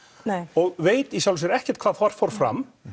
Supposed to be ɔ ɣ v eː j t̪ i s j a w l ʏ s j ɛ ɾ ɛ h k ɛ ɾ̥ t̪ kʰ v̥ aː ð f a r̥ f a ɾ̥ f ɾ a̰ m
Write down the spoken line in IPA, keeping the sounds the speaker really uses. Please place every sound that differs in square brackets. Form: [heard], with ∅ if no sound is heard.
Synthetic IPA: ɔ ɣ v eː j t̪ i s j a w l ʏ s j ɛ ɾ ɛ h [c] ɛ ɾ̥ t̪ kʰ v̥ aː ð f a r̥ f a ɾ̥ f ɾ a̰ m